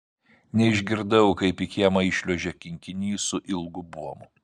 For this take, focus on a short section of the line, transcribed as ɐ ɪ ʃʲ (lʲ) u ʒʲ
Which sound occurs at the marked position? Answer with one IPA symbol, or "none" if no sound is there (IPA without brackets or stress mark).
lʲ